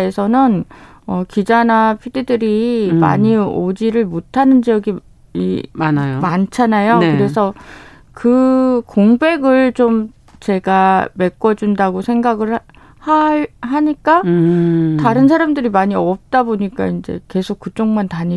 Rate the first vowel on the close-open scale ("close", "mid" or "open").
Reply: mid